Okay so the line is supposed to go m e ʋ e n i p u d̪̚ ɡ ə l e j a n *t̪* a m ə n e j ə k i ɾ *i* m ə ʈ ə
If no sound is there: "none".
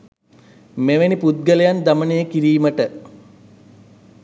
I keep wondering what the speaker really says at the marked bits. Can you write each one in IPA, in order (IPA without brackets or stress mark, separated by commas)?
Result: d̪, iː